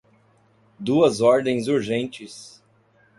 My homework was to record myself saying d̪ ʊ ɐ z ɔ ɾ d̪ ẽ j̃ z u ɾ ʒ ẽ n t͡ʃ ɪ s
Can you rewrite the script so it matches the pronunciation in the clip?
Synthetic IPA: d̪ u ɐ z ɔ ɾ d̪ ẽ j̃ z u ɾ ʒ ẽ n t͡ʃ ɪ s